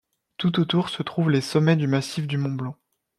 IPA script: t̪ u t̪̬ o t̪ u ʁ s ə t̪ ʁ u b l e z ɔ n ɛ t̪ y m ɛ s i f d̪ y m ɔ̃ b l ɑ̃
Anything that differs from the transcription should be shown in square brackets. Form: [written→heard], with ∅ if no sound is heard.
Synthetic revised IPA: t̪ u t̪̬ o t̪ u ʁ s ə t̪ [ʁ→χ] u [b→v] l e [z→s] ɔ [n→m] ɛ [t̪→d̪] y m [ɛ→a] s i f d̪ y m ɔ̃ b l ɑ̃